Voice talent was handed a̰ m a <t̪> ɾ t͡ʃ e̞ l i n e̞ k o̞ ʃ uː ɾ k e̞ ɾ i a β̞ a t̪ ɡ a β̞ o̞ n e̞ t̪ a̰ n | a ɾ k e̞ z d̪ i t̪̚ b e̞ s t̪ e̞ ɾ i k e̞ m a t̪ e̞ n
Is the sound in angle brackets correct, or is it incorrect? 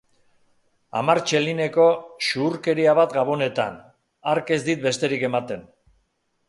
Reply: incorrect